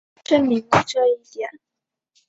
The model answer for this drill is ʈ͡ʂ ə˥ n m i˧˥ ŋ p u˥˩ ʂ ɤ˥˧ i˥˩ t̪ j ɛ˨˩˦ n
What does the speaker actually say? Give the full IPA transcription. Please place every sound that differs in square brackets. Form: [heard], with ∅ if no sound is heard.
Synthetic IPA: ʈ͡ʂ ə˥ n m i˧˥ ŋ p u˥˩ [ʈ͡ʂ] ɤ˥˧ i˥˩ t̪ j ɛ˨˩˦ n